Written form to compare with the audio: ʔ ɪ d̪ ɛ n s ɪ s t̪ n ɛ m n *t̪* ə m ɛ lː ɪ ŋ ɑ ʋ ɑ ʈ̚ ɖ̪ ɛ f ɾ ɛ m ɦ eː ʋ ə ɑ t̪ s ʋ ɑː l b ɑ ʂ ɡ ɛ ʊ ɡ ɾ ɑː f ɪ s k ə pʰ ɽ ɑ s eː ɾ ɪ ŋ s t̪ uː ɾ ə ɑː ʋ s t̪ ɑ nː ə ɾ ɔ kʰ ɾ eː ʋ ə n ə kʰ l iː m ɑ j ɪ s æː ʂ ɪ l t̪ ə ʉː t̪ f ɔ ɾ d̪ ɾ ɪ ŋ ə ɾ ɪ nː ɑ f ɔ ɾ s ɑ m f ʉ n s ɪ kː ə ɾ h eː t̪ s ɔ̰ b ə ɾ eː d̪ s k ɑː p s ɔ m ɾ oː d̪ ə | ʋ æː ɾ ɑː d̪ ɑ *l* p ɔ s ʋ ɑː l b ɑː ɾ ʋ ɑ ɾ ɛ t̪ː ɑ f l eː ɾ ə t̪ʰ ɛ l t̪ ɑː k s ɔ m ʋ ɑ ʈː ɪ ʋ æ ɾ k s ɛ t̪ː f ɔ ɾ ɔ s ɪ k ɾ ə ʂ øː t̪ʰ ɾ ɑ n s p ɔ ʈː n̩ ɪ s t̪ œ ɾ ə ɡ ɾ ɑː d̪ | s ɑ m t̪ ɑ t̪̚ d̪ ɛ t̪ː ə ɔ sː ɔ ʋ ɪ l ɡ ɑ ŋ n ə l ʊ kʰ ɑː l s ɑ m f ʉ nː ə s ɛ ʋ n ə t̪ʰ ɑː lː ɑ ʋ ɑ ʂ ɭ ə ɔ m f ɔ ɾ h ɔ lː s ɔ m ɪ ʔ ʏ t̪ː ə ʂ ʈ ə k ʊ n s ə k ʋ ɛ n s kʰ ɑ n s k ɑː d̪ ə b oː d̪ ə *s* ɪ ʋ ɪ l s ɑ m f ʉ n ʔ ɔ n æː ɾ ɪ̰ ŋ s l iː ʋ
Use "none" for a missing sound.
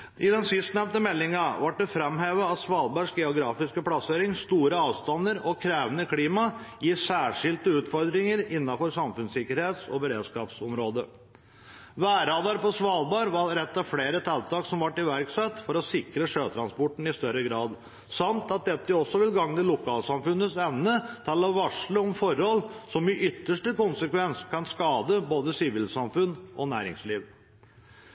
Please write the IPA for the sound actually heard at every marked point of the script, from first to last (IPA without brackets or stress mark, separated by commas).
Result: t̪, ɾ, s